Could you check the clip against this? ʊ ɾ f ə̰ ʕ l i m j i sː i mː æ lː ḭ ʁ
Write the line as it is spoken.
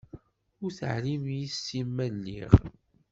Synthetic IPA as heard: ʊ ɾ θ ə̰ ʕ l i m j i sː i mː æ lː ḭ ʁ